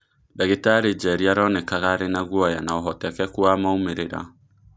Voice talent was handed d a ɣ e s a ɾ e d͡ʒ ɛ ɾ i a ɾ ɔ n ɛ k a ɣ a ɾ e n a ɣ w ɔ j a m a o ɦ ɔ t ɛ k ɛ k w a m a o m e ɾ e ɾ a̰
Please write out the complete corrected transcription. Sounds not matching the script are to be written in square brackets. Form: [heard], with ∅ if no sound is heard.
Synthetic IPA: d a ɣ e [t] a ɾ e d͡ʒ ɛ ɾ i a ɾ ɔ n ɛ k a ɣ a ɾ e n a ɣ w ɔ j a [n] a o ɦ ɔ t ɛ k ɛ k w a m a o m e ɾ e ɾ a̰